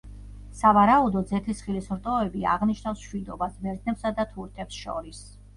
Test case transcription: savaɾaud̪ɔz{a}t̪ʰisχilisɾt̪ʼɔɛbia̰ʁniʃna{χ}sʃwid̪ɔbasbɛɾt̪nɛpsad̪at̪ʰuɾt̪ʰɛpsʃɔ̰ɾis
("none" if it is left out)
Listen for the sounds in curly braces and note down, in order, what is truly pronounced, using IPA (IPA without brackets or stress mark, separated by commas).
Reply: ɛ, f